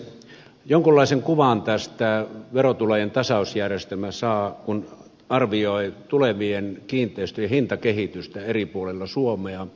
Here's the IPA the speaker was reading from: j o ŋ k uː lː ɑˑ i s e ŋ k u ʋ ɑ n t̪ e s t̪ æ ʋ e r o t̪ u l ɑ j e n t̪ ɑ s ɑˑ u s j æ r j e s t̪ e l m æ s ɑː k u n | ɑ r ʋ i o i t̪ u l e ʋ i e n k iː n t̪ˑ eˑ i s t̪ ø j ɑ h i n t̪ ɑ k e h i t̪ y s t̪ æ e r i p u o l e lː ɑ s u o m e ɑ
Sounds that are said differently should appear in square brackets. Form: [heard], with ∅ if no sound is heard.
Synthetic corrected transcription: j o ŋ k [u] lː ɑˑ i s e ŋ k u ʋ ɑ n t̪ [æ] s t̪ æ ʋ e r o t̪ u l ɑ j e n t̪ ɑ s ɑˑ u s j æ r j e s t̪ e l m æ s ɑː k u n | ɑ r ʋ i o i t̪ u l e ʋ i e n k iː n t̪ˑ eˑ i s t̪ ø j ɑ h i n t̪ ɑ k e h i t̪ y s t̪ æ e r i p u o l e lː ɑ s u o m e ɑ